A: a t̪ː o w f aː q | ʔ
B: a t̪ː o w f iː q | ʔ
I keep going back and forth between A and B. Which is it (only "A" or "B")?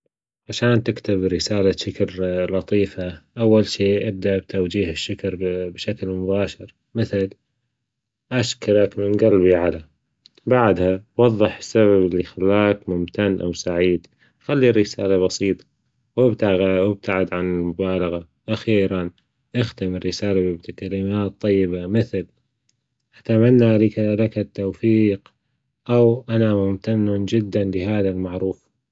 B